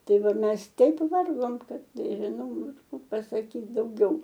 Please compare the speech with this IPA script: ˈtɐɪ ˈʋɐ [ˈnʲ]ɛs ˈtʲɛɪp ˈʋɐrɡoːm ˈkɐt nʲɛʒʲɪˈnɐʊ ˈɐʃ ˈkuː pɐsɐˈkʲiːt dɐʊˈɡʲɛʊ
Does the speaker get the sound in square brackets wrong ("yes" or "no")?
yes